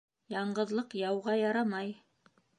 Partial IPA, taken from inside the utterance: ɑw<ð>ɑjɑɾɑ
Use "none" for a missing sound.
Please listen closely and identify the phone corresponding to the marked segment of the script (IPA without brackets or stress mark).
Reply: ʁ